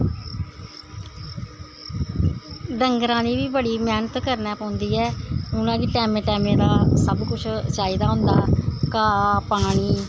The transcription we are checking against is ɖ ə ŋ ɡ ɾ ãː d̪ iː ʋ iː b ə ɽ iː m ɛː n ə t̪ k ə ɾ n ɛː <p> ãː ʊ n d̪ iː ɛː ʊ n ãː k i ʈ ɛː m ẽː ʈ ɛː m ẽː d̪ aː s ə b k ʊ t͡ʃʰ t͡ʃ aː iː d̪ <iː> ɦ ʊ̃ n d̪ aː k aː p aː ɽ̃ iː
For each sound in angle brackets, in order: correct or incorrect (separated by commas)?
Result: correct, incorrect